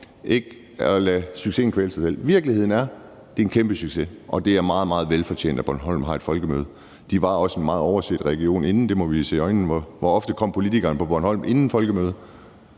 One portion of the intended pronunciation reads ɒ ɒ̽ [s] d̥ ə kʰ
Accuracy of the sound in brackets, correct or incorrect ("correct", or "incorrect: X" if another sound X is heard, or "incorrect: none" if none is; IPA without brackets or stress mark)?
incorrect: f